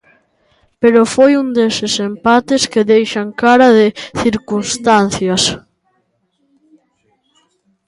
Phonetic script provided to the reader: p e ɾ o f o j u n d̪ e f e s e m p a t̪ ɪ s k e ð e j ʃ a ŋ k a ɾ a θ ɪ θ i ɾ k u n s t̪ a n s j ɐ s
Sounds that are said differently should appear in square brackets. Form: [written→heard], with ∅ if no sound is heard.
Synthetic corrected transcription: p e ɾ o f o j u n d̪ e [f→s] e s e m p a t̪ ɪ s k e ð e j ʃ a ŋ k a ɾ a [θ→ð] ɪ θ i ɾ k u n s t̪ a n [s→θ] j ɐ s